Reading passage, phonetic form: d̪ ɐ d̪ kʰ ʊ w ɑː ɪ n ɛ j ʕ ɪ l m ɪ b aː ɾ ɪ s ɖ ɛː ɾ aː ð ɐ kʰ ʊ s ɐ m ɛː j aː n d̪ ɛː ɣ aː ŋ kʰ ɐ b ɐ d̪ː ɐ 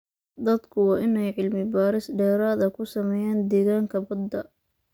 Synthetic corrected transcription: d̪ ɐ d̪ kʰ ʊ w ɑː ɪ n ɛ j ʕ ɪ l m ɪ b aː ɾ ɪ s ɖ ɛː ɾ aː ð ɐ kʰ ʊ s ɐ m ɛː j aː n d̪ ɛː ɣ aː ŋ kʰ ɐ b ɐ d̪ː ɐ